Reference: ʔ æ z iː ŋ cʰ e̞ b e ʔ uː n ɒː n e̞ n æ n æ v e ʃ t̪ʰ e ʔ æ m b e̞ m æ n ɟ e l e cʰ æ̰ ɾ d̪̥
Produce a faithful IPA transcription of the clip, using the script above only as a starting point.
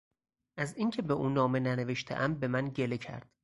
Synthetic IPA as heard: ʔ æ z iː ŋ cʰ e̞ b e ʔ uː n ɒː m e̞ n æ n e v e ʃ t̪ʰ e ʔ æ m b e̞ m æ n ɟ e l e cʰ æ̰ ɾ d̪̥